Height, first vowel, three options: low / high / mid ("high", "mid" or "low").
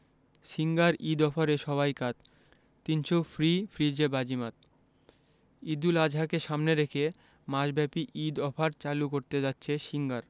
high